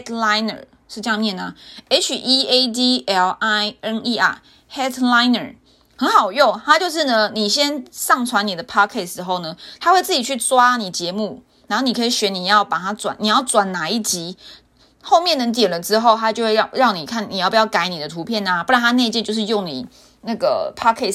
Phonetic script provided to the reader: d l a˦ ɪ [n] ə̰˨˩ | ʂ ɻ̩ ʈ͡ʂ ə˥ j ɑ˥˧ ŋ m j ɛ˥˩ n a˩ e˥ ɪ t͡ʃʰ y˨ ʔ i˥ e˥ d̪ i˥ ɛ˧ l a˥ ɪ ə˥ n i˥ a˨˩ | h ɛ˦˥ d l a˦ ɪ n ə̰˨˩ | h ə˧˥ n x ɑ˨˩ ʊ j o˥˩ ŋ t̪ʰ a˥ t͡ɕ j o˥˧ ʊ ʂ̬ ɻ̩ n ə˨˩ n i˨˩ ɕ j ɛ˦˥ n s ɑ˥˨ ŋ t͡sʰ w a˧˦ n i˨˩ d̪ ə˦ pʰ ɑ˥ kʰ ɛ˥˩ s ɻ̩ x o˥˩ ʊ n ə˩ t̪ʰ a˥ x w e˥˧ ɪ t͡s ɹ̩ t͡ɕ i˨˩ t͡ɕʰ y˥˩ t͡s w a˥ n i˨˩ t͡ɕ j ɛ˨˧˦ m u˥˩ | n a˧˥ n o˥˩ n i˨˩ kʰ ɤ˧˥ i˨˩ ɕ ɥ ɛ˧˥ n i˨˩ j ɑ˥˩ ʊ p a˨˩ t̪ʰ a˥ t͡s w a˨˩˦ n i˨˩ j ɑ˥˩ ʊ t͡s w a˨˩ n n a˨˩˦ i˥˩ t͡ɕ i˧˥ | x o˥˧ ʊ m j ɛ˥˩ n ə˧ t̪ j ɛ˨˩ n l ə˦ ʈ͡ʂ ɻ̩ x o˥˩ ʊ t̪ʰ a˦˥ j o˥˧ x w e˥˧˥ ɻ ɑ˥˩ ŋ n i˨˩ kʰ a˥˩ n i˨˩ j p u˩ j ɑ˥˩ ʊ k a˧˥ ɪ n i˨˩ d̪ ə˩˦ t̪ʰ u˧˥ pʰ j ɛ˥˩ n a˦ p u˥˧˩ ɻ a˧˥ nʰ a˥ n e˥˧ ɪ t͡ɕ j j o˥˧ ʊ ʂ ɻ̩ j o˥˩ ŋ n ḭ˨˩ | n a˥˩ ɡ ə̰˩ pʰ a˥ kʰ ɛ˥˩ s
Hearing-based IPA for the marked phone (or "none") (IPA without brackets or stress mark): n